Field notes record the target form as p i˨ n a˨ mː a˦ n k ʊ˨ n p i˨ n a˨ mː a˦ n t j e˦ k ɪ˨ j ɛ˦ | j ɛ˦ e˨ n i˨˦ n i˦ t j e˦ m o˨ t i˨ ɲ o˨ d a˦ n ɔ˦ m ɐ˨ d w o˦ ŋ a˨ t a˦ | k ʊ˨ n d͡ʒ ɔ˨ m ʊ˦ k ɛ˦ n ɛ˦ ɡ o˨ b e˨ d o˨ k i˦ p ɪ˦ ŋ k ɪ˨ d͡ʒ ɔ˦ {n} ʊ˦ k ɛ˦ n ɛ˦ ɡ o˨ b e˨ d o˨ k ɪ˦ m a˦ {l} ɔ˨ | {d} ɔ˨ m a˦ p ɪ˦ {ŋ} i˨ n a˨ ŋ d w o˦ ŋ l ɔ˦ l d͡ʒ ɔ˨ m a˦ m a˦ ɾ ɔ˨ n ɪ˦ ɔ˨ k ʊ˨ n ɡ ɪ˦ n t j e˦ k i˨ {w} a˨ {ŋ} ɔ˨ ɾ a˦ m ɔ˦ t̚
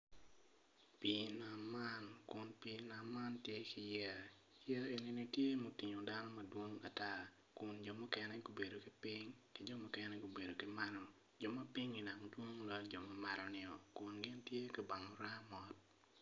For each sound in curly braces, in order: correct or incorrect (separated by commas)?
incorrect, incorrect, incorrect, correct, incorrect, correct